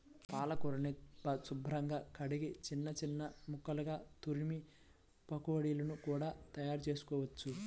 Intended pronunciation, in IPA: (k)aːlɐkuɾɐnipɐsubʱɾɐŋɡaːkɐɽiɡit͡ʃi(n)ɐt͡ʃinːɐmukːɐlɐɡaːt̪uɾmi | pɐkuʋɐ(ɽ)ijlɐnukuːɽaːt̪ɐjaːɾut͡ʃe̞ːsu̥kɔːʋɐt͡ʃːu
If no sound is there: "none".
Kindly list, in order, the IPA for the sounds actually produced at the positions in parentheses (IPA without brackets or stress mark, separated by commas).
p, nː, ɽ